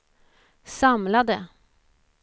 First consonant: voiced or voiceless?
voiceless